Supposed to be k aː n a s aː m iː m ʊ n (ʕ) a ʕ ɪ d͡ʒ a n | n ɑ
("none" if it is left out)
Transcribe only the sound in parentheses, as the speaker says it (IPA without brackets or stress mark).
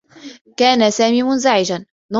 z